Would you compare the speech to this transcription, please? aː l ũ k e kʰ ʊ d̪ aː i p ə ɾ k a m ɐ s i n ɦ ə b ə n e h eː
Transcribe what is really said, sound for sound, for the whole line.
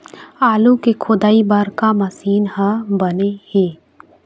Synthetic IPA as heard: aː l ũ k e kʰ ʊ d̪ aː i b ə ɾ k a m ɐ s iː n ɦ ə b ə n e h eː